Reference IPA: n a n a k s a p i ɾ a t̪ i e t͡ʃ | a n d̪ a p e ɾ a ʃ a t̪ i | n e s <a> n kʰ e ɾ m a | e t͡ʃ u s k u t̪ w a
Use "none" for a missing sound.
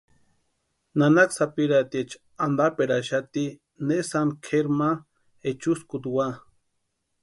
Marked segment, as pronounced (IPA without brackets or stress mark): a